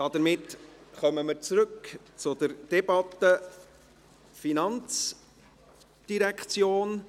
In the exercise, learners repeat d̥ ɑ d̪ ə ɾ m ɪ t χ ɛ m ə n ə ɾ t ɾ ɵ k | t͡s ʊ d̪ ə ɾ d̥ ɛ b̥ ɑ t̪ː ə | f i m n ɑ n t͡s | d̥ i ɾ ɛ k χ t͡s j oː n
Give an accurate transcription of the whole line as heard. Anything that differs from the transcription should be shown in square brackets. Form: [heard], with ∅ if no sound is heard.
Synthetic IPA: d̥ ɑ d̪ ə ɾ m ɪ t χ [œ] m ə [m] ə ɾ [t͡s] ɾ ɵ k | t͡s ʊ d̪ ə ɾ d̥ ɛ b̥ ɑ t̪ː ə | f i [∅] n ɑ n t͡s | d̥ i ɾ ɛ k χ t͡s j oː n